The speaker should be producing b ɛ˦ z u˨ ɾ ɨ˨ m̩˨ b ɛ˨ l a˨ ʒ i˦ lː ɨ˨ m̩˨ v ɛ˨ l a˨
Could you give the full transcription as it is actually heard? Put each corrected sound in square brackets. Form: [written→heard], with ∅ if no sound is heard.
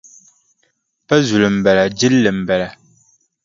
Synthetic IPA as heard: [b→p] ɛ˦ z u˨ [ɾ→l] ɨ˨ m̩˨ b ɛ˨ l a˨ [ʒ→d͡ʒ] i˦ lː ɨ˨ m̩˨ [v→b] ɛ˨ l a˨